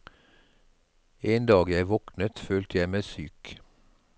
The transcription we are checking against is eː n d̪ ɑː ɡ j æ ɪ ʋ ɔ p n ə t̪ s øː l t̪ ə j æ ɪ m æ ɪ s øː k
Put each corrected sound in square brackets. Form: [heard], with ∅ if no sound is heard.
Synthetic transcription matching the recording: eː n d̪ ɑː ɡ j æ ɪ ʋ ɔ [k] n ə t̪ [f] øː l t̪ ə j æ ɪ m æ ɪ s [yː] k